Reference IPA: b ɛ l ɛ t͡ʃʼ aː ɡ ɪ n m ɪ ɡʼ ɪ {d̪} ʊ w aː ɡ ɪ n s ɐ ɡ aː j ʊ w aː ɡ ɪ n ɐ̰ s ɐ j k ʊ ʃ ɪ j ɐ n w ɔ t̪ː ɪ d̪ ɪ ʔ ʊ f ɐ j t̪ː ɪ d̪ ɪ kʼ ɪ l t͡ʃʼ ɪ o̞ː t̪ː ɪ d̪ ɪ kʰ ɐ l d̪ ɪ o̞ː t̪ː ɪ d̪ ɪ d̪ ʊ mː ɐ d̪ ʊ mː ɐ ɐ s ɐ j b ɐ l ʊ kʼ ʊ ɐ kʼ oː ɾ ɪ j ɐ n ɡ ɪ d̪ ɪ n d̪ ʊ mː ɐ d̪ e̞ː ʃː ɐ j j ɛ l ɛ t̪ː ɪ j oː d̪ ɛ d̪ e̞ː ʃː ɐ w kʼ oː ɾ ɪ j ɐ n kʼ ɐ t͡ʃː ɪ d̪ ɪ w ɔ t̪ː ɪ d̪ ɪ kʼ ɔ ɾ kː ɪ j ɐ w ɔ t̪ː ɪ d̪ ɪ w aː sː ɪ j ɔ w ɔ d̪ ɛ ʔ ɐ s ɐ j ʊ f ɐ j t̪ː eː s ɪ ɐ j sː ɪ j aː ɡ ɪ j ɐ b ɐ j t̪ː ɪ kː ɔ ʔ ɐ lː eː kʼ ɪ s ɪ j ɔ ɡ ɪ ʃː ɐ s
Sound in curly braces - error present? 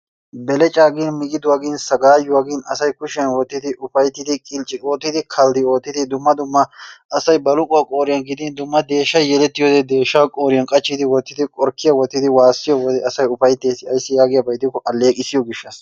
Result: no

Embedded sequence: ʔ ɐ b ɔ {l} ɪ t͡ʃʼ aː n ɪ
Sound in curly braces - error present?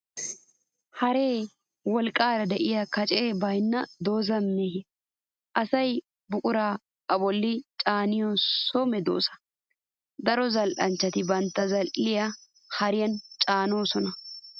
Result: yes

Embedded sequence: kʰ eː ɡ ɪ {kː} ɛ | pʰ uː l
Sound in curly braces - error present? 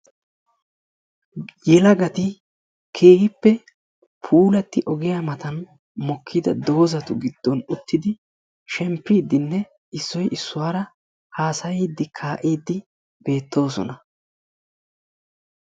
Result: yes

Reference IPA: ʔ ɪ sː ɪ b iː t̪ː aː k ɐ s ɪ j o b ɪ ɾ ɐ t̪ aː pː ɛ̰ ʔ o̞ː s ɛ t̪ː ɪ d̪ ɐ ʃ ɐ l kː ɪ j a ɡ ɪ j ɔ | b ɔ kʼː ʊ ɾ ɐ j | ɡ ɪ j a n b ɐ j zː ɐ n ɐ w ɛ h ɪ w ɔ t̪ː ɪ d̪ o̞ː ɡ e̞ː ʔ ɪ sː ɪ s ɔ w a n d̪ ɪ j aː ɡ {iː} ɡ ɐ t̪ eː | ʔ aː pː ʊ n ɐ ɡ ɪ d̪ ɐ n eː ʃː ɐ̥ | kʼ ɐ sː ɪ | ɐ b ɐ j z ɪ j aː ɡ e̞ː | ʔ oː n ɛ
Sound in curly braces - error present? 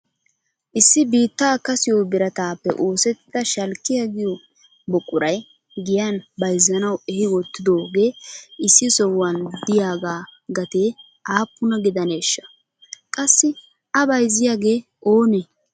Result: yes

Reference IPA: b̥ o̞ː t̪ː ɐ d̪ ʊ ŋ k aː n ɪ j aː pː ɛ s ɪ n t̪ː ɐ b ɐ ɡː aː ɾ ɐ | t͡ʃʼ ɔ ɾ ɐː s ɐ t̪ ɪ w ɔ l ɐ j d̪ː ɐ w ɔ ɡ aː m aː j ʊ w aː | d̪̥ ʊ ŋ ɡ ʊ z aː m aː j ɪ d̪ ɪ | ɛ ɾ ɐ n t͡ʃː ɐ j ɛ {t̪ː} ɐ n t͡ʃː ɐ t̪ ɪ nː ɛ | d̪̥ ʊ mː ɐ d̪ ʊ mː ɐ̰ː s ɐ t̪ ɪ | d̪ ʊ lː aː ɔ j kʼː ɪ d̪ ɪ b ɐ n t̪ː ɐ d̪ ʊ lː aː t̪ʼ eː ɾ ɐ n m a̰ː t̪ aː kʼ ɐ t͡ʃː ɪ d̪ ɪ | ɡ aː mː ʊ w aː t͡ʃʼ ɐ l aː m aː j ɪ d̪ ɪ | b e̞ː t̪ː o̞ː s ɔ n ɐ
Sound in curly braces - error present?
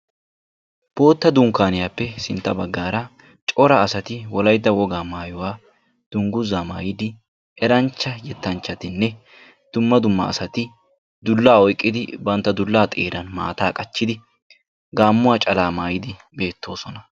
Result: no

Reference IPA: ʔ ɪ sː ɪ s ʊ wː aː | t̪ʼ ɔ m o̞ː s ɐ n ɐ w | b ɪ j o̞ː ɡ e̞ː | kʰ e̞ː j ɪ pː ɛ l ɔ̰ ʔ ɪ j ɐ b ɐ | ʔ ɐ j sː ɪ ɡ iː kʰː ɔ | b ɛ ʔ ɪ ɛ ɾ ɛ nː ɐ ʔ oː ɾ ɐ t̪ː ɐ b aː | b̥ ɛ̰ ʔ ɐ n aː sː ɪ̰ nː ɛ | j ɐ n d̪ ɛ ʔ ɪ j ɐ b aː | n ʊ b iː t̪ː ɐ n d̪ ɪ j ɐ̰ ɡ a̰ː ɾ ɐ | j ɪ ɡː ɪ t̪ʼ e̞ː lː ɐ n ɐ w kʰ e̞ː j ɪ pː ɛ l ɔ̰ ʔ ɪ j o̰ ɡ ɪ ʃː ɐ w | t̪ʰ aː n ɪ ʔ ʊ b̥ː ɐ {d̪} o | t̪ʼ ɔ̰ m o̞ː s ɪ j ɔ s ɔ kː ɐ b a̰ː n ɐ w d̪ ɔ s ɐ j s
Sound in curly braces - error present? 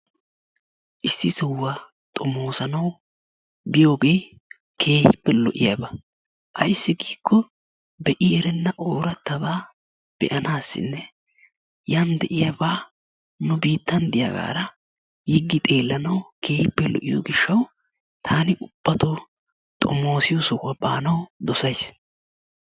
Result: yes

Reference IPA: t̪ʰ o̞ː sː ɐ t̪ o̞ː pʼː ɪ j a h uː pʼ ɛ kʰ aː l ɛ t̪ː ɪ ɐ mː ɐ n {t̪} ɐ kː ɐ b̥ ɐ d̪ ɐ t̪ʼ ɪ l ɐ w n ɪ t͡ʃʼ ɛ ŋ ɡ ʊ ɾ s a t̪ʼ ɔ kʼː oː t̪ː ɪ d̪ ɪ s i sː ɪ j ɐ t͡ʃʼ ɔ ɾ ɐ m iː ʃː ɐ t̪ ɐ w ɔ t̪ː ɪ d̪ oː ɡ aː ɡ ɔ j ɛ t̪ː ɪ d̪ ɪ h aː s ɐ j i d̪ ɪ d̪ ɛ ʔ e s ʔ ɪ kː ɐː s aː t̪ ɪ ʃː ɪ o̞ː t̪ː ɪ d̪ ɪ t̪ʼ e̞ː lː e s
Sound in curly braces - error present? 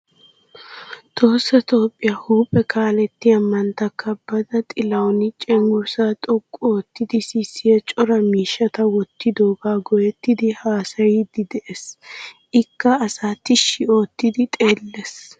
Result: no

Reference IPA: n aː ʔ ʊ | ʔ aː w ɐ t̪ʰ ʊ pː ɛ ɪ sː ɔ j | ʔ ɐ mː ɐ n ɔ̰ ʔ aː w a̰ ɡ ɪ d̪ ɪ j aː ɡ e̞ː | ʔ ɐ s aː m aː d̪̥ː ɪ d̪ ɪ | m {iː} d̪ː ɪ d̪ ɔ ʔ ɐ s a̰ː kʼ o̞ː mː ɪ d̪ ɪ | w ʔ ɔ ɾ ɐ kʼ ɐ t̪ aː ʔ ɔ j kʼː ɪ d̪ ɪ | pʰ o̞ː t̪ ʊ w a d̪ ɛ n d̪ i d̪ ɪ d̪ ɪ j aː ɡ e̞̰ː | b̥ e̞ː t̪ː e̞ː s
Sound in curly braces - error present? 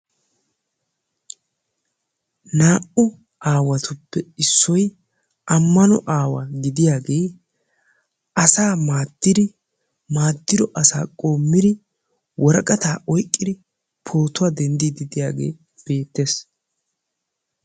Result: yes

